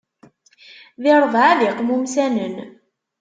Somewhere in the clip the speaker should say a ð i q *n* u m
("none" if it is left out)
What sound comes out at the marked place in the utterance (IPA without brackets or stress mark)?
m